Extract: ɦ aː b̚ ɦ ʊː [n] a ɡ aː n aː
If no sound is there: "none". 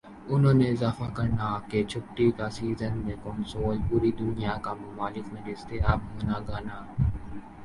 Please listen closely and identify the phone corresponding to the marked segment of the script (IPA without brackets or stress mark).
n